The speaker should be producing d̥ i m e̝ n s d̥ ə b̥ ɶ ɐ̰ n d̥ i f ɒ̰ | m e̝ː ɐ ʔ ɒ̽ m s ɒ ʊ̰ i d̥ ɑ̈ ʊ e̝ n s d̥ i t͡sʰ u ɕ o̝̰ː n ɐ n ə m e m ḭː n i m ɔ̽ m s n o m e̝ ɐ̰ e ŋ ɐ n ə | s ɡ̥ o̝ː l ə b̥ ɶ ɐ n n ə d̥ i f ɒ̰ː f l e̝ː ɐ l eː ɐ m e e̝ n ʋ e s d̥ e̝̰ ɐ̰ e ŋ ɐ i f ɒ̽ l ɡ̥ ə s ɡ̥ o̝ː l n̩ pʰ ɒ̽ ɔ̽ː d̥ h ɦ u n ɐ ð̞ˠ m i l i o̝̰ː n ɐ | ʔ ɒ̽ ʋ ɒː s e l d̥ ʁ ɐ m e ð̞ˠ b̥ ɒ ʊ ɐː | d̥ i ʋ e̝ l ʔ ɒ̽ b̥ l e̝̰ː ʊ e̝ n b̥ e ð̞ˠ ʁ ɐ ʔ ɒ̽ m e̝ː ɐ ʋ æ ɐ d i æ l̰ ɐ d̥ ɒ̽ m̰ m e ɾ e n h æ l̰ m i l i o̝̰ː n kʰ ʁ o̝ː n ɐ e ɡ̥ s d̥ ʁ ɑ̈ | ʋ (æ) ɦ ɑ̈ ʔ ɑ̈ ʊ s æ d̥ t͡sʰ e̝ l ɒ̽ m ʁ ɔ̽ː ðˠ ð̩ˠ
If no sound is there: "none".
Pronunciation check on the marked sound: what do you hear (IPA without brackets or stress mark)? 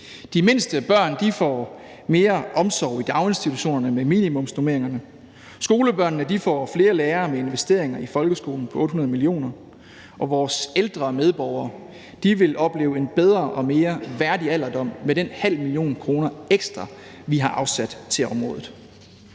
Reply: i